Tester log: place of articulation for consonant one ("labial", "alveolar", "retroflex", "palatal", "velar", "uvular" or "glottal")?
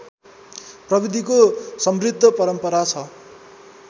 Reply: labial